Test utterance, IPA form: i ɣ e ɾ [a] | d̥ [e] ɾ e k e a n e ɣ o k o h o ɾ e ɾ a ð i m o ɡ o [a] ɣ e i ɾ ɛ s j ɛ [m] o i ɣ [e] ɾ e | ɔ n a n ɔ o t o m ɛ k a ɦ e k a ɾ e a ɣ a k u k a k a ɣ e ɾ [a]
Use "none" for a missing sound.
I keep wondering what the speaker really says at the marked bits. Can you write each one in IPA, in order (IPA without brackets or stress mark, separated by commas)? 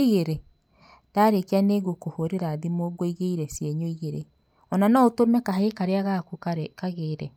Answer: e, a, i, ɲ, e, ɛ